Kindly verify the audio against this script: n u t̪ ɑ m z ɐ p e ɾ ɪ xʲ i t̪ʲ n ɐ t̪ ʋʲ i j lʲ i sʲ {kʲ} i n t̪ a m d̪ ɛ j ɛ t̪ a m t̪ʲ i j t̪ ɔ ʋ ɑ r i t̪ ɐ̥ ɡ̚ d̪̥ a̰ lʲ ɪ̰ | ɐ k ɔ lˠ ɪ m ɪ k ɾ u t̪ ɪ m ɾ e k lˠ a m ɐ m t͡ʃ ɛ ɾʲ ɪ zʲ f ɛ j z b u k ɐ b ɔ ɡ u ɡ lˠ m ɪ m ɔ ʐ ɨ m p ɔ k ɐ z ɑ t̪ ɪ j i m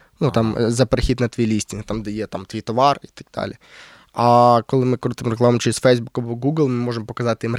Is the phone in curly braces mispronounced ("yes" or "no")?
yes